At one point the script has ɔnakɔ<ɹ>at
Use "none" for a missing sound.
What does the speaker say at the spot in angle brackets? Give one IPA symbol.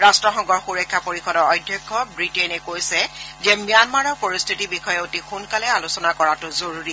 ɹ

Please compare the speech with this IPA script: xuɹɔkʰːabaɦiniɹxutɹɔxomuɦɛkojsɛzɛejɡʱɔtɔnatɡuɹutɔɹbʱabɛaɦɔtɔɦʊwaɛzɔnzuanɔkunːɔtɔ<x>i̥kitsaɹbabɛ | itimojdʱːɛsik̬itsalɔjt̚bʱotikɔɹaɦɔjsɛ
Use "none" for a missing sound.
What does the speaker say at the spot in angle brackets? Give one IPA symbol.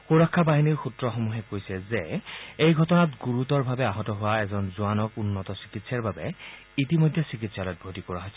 s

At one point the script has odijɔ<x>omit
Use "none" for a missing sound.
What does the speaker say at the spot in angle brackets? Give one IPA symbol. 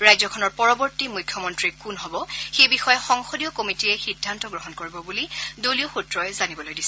k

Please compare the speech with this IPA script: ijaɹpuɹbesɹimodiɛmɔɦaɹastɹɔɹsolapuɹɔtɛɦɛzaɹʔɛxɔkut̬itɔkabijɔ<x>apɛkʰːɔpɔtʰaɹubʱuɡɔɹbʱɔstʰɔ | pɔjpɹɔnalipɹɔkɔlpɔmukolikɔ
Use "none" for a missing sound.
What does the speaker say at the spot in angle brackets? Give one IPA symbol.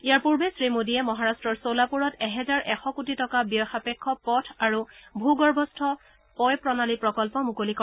x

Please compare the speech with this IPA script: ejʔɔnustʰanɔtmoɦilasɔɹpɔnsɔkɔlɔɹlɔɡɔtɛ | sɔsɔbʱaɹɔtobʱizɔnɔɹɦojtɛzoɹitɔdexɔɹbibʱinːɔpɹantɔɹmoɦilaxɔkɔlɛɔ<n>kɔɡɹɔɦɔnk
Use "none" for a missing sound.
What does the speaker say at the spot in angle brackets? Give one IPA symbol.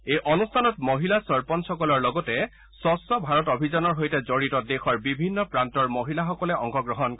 ŋ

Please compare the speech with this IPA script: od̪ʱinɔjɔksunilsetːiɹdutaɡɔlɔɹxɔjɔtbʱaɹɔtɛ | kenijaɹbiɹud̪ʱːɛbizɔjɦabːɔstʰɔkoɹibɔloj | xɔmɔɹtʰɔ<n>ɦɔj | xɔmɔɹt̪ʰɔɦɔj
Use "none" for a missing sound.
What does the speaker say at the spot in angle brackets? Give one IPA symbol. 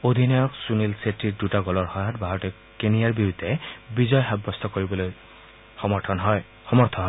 n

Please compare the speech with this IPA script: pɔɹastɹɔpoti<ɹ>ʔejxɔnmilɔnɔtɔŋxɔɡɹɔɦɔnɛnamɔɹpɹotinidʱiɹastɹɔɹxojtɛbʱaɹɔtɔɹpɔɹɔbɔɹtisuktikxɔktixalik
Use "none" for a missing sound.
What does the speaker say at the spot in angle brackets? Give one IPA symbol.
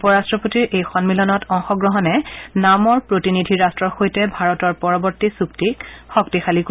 ɹ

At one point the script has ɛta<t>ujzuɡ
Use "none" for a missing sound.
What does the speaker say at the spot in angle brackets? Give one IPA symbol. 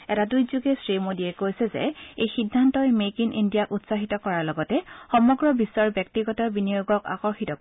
d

